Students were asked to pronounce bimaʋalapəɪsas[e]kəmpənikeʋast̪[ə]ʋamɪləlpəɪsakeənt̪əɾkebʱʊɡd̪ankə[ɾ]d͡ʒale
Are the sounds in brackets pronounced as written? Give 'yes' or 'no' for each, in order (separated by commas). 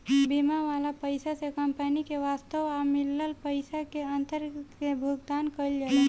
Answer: yes, yes, no